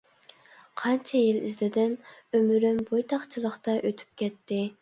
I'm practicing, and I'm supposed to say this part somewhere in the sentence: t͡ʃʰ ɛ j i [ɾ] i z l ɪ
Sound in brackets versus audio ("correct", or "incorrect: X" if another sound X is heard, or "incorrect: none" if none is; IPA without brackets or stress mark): incorrect: l